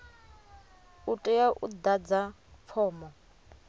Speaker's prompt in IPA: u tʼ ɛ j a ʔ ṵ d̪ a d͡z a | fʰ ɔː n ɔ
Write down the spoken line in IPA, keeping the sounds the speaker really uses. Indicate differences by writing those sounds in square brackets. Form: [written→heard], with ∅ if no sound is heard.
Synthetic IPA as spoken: u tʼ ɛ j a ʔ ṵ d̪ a d͡z a | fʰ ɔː [n→m] ɔ